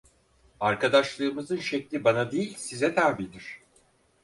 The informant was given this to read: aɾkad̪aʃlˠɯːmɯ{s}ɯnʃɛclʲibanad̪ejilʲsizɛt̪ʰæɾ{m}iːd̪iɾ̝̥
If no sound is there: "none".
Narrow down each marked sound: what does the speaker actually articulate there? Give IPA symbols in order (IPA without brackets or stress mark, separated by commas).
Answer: z, b